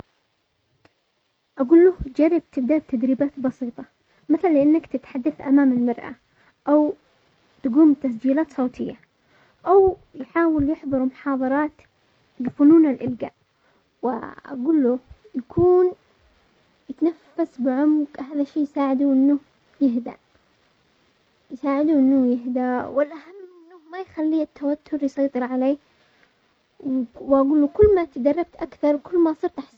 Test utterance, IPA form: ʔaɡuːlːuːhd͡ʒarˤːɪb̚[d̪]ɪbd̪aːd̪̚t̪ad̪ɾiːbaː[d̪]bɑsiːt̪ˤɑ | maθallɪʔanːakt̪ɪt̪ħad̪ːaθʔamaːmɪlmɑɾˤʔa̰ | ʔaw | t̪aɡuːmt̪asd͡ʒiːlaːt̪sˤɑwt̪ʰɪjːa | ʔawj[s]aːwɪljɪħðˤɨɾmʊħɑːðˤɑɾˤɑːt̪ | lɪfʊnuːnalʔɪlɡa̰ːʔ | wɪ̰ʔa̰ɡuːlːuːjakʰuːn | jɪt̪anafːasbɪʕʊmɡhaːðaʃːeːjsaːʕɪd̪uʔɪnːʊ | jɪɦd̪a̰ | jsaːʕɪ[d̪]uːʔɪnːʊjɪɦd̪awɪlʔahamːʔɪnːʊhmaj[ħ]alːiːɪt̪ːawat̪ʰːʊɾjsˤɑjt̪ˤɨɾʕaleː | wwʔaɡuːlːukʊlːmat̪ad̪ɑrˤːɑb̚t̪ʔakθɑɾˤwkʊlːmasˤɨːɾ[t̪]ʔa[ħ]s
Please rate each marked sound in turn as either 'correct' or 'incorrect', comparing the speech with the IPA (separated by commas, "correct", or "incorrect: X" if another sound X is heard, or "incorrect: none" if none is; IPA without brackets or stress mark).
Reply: incorrect: t̪, incorrect: t̪, incorrect: ħ, correct, incorrect: x, correct, correct